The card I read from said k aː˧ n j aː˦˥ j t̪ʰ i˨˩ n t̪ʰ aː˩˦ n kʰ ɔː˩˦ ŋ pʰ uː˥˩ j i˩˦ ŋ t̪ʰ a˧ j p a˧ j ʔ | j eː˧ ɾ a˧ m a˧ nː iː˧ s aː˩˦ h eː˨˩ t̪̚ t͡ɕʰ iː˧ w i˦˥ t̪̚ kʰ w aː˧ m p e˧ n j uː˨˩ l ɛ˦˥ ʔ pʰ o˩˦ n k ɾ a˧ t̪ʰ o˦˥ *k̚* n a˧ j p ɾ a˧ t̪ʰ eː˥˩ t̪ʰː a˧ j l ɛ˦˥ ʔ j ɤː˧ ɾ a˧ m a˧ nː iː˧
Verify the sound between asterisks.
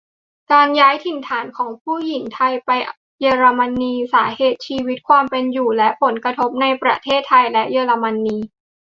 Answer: incorrect: p̚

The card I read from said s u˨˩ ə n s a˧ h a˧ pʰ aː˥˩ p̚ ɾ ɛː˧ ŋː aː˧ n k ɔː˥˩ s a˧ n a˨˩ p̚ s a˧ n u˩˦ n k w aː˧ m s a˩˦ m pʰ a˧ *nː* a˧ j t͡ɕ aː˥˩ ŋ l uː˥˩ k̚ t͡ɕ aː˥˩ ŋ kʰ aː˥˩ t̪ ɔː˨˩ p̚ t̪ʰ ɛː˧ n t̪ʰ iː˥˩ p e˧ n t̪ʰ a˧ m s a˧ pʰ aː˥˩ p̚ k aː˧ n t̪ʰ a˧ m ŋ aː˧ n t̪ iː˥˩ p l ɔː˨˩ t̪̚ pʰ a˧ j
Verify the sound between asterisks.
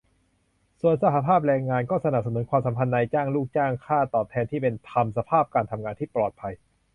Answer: correct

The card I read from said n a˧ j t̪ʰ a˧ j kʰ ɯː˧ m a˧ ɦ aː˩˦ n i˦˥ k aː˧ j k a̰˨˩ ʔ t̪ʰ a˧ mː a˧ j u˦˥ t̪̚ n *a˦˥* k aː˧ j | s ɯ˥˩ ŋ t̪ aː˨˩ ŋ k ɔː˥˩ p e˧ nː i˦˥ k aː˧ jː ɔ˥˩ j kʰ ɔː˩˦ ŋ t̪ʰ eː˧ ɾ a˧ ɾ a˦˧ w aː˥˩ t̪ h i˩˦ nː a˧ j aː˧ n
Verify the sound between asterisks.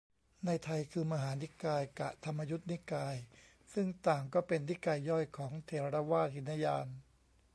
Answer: incorrect: i˦˥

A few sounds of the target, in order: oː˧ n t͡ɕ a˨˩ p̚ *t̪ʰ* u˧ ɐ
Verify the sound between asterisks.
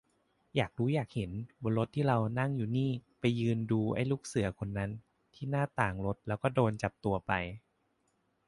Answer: incorrect: t̪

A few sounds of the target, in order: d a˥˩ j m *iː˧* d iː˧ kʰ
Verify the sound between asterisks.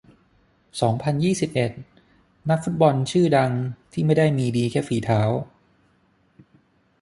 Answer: correct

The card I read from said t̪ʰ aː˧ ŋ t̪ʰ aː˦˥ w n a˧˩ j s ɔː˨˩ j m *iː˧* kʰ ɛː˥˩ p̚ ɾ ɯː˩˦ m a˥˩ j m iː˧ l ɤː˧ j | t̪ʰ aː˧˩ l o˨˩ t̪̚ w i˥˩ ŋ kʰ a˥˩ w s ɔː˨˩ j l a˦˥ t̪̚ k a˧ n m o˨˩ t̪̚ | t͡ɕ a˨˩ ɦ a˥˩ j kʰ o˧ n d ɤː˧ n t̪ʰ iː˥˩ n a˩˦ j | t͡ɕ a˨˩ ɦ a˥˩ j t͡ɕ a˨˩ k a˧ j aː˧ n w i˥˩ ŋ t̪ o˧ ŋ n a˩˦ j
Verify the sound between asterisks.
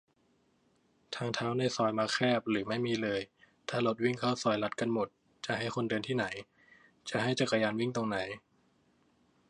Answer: incorrect: aː˧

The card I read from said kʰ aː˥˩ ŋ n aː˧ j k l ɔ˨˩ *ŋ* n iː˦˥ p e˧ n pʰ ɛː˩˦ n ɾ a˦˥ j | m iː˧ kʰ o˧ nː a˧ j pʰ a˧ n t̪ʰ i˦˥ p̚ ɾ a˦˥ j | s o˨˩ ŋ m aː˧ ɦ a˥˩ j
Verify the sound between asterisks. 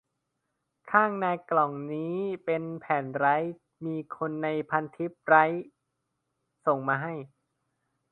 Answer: correct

